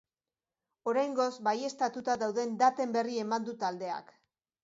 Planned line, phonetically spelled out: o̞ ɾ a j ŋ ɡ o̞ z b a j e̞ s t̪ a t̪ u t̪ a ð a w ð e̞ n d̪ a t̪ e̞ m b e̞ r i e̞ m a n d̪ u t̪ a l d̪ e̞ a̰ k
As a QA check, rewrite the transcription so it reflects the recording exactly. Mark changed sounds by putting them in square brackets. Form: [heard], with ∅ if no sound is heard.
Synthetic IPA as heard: o̞ ɾ a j ŋ ɡ o̞ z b a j e̞ s t̪ a t̪ u t̪ a ð a w ð e̞ n d̪ a t̪ e̞ m b e̞ r i e̞ m a n d̪ u t̪ a l d̪ e̞ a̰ k